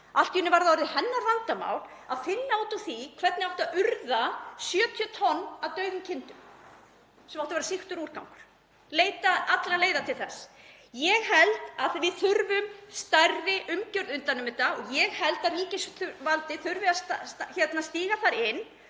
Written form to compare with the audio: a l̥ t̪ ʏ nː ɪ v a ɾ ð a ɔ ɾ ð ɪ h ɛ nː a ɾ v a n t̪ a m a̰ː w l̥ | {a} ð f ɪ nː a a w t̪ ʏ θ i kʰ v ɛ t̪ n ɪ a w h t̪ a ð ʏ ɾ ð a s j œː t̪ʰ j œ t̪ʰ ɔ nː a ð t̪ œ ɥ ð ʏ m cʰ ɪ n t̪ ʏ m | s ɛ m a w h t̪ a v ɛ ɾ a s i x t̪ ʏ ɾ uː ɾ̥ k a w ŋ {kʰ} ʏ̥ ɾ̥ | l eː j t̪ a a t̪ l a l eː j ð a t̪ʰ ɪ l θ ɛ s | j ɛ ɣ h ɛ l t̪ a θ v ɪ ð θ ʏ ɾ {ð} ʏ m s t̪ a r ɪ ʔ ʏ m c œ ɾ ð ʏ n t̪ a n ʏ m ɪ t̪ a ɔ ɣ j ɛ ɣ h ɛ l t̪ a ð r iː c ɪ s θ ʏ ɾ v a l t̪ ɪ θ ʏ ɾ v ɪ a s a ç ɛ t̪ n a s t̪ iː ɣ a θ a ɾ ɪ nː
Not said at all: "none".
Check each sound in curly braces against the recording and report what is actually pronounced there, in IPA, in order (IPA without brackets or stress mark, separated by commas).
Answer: a, k, v